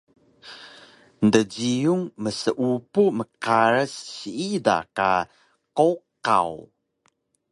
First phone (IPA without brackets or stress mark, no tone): n